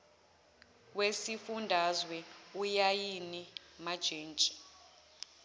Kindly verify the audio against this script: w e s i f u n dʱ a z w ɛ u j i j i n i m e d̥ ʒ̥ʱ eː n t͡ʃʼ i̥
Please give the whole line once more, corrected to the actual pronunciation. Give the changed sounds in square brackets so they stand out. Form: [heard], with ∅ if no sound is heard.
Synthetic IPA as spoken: w e s i f u n dʱ a z w ɛ u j [a] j i n i m [a] d̥ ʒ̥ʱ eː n t͡ʃʼ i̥